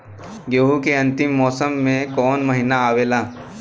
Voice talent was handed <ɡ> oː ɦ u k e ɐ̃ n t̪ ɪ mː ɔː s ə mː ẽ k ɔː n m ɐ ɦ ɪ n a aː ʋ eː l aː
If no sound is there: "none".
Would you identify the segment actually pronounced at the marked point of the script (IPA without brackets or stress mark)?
ɡ